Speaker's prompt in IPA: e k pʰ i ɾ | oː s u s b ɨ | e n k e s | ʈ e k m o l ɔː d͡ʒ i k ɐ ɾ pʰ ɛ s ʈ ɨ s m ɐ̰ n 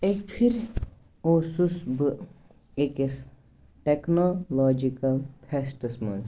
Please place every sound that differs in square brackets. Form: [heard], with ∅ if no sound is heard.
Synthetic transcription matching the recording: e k pʰ i ɾ | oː s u s b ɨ | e [∅] k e s | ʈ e k [n] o l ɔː d͡ʒ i k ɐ [l] pʰ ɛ s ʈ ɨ s m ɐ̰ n